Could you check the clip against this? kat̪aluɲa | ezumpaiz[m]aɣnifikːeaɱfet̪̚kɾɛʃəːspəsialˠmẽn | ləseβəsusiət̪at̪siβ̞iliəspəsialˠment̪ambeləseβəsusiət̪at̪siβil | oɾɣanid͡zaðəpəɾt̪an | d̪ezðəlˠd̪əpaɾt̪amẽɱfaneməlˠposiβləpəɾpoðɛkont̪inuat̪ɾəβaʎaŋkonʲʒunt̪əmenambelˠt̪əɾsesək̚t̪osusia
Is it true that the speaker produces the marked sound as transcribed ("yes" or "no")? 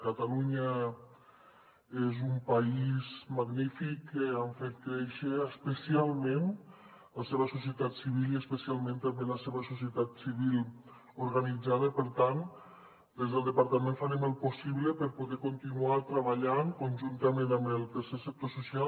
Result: yes